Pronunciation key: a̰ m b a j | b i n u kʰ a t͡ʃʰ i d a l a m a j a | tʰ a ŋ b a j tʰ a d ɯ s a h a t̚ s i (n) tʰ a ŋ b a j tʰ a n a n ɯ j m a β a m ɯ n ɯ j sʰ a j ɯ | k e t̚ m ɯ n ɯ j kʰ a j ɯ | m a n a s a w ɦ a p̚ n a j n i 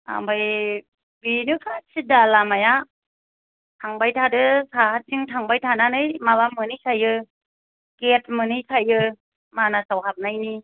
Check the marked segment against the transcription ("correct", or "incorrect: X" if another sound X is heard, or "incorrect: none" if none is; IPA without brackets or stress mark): incorrect: ŋ